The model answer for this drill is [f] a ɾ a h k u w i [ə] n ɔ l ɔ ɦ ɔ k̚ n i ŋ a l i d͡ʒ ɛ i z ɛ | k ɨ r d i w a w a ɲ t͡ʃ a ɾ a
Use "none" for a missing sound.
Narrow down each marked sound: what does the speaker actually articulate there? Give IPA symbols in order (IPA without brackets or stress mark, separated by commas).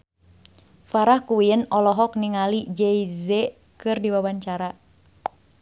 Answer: f, ə